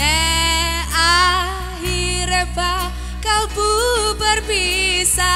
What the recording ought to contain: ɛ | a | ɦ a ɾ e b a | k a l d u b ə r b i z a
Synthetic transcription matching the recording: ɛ | a | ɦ i ɾ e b a | k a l b u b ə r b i s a